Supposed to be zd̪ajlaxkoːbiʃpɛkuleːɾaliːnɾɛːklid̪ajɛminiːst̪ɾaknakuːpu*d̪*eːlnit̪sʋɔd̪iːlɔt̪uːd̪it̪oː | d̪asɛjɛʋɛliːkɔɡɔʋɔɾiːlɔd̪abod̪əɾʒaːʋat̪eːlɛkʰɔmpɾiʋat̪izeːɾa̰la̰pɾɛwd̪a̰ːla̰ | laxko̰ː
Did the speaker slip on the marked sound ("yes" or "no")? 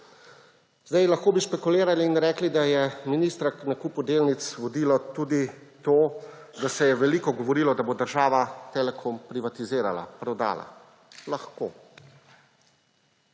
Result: no